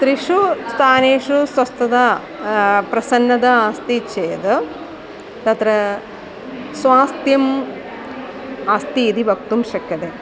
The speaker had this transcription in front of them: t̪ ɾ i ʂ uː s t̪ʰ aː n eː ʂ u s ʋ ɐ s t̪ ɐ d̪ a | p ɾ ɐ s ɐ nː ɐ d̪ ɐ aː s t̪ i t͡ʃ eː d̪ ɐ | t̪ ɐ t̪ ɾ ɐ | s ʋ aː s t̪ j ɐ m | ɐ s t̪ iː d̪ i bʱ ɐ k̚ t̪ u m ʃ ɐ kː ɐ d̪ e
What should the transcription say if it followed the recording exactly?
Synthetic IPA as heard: t̪ ɾ i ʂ u s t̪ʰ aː n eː ʂ u s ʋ ɐ s t̪ ɐ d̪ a | p ɾ ɐ s ɐ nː ɐ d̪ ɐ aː s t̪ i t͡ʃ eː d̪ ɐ | t̪ ɐ t̪ ɾ ɐ | s ʋ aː s t̪ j ɐ m | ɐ s t̪ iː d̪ i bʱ ɐ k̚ t̪ u m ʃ ɐ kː ɐ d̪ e